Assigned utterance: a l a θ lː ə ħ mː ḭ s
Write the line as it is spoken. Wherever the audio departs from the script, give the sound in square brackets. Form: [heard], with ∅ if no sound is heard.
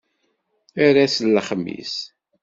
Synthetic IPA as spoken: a [ɾ] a [s] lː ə [χ] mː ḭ s